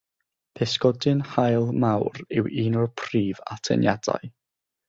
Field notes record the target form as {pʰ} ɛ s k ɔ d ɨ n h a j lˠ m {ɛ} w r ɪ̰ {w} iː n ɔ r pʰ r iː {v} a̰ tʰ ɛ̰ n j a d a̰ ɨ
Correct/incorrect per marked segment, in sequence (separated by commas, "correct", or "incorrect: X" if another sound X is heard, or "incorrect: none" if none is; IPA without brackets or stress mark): correct, incorrect: a, correct, correct